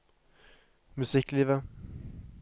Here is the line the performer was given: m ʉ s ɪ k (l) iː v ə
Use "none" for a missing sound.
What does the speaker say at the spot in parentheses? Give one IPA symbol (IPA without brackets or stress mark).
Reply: l